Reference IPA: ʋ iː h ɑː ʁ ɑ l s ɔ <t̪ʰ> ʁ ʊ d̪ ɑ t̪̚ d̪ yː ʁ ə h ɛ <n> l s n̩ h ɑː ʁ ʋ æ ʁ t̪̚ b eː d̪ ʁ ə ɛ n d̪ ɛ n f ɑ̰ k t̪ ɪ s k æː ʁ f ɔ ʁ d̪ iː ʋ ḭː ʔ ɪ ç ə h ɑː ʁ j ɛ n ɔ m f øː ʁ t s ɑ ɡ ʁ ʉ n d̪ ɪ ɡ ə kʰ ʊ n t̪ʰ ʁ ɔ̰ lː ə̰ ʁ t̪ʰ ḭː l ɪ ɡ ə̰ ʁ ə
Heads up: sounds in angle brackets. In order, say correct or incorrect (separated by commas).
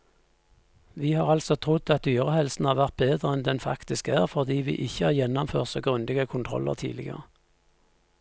correct, incorrect